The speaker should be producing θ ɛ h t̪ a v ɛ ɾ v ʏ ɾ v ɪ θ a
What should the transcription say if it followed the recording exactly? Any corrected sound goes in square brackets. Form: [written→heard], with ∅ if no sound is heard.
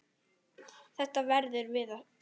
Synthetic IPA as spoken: θ ɛ h t̪ a v ɛ ɾ [v→ð] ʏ ɾ v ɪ [θ→ð] a